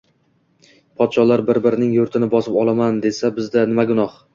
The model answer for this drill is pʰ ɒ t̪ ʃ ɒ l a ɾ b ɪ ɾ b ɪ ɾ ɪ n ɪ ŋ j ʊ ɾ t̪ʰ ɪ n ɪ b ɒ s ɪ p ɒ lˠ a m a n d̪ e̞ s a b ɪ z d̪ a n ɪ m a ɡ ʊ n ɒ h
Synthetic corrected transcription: pʰ ɒ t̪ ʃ ɒ l a ɾ b ɪ ɾ b ɪ ɾ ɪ n ɪ ŋ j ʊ ɾ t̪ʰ ɪ n ɪ b ɒ s ɪ p ɒ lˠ a m a n d̪ e̞ s a b ɪ z d̪ a n ɪ m a ɡ ʊ n ɒ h